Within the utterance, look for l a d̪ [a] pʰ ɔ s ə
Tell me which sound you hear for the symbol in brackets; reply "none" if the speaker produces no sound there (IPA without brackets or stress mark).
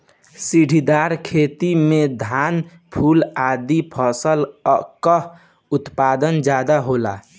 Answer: i